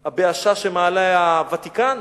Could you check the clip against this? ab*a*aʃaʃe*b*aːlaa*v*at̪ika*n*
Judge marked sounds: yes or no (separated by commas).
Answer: no, no, yes, yes